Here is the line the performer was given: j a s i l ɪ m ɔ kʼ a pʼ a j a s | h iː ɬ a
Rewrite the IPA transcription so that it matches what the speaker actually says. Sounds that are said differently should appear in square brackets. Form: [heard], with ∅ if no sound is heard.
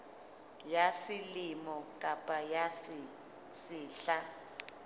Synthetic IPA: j a s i l [i] m ɔ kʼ a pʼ a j a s | [s] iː ɬ a